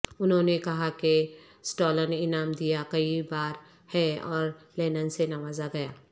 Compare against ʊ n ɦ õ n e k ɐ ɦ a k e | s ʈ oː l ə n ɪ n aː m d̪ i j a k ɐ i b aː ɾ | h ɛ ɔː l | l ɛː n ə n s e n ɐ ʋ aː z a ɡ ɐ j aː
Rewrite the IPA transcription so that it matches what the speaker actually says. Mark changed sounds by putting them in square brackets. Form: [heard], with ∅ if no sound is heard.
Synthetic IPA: ʊ n ɦ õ n e k ɐ ɦ a k e | s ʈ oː l ə n ɪ n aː m d̪ i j a k ɐ i b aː ɾ | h ɛ ɔː [ɾ] | l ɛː n ə n s e n ɐ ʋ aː z a ɡ ɐ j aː